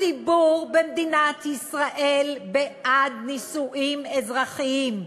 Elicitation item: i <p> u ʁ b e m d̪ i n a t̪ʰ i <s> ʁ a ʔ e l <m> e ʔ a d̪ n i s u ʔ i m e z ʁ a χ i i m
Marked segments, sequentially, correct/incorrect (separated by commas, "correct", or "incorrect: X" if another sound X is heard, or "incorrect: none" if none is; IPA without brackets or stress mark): incorrect: b, correct, incorrect: b